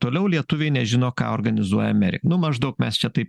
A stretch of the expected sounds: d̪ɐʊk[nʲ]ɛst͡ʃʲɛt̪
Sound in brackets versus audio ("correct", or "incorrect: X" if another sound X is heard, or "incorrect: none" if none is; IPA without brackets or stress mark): incorrect: mʲ